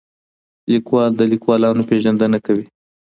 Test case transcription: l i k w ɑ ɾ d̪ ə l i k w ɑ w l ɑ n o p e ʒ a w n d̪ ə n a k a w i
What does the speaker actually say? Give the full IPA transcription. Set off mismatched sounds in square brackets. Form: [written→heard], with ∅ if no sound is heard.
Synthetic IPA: l i k w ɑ [ɾ→l] d̪ ə l i k w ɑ [w→∅] l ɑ n o p e ʒ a [w→∅] n d̪ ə n a k a w i